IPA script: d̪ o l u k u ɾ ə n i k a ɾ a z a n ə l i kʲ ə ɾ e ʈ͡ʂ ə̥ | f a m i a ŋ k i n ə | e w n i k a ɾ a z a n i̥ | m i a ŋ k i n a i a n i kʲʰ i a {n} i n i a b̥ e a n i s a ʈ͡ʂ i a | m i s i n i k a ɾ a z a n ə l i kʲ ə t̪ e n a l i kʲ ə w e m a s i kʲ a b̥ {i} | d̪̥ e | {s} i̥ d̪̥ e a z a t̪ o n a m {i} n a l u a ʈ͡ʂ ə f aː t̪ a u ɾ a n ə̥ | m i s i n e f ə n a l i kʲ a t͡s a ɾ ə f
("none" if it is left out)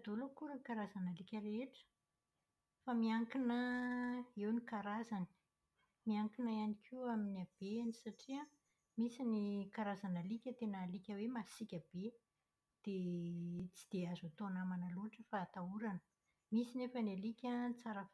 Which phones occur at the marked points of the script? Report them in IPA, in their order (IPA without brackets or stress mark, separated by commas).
m, e, t͡s, a